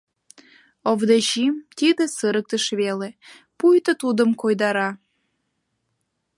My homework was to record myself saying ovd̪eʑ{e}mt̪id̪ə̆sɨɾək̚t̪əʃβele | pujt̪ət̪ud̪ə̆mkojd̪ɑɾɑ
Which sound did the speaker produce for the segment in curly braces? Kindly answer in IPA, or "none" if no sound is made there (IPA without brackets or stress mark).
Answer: i